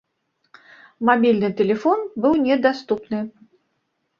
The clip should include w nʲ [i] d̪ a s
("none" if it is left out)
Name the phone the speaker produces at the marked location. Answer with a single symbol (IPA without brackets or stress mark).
ɛ